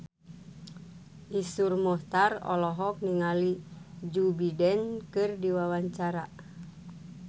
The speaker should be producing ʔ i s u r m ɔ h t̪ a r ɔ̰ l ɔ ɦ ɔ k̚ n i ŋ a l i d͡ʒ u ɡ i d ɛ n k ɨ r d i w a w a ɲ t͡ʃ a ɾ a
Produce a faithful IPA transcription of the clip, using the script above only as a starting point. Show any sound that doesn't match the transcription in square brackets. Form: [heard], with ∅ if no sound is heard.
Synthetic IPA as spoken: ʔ i s u r m ɔ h t̪ a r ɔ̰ l ɔ ɦ ɔ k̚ n i ŋ a l i d͡ʒ u [b] i d ɛ n k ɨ r d i w a w a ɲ t͡ʃ a ɾ a